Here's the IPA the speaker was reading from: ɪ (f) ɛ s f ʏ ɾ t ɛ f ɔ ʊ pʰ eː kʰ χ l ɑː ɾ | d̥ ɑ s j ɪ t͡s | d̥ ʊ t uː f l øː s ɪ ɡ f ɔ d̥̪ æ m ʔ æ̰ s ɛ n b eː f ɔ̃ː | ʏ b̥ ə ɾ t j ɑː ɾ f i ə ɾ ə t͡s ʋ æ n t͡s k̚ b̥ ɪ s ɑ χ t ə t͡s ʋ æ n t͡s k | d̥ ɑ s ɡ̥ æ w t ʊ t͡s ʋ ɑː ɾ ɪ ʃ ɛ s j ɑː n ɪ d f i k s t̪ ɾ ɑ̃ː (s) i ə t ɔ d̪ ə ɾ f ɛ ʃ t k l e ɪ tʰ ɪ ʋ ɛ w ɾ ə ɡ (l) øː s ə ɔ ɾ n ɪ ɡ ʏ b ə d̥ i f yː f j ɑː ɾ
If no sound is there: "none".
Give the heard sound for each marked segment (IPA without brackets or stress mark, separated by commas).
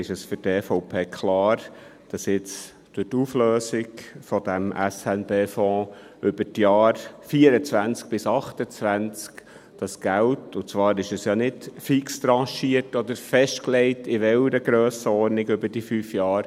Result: ʃ, ʃ, ɾ